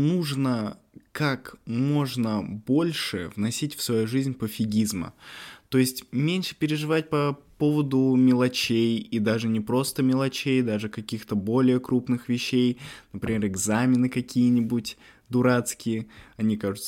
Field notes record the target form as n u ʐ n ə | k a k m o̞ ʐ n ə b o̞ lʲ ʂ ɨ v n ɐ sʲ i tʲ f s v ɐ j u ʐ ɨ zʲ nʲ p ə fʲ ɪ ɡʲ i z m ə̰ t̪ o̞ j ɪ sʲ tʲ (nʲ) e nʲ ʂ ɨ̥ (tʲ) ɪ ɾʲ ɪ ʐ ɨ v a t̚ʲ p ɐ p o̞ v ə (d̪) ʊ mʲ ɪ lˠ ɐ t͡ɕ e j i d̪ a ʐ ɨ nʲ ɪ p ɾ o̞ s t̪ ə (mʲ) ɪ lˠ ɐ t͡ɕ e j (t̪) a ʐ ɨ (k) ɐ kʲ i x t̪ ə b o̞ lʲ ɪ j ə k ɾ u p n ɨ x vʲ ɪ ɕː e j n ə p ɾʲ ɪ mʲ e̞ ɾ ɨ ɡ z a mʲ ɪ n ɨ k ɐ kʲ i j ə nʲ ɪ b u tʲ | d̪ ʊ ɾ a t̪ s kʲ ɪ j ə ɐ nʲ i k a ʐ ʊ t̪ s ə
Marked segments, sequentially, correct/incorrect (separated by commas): incorrect, incorrect, correct, correct, incorrect, correct